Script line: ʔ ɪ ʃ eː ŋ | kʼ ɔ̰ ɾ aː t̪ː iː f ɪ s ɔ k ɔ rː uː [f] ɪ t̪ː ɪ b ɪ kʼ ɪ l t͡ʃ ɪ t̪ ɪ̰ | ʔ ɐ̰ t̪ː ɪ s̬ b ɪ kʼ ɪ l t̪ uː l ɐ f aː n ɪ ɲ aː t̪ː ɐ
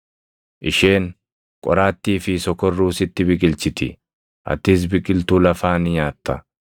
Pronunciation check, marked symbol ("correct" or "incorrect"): incorrect